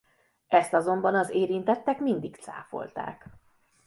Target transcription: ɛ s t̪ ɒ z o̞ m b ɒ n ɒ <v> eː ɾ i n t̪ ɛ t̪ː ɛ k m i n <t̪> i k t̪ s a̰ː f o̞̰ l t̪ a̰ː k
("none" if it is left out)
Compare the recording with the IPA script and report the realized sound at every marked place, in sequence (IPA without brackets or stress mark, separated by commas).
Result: z, d̪